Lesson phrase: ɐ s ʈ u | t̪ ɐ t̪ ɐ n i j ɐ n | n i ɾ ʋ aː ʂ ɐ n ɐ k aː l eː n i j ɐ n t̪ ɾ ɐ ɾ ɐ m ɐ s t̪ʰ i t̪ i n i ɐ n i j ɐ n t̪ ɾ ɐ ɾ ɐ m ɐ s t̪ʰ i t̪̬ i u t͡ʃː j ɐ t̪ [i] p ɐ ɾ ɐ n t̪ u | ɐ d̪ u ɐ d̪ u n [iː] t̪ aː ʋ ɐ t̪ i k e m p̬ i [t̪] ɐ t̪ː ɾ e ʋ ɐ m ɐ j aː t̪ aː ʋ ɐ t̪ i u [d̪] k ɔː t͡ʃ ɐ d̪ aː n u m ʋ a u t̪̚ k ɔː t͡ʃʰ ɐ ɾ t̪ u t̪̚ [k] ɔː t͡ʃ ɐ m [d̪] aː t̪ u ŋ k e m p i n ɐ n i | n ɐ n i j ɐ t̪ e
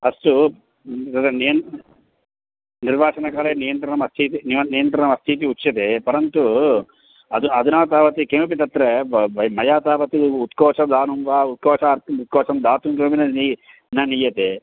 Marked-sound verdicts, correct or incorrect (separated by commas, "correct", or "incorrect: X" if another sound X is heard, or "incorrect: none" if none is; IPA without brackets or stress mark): incorrect: e, incorrect: aː, correct, incorrect: t̪, correct, correct